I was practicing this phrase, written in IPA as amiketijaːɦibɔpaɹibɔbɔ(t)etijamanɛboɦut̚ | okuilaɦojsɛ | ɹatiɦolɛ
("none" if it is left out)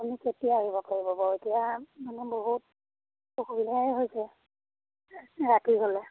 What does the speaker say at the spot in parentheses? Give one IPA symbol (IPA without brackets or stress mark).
none